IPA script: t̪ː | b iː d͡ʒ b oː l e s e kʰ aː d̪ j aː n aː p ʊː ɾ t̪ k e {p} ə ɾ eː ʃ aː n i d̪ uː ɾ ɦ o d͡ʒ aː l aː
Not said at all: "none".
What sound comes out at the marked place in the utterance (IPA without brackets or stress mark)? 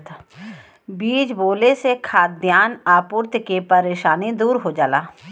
p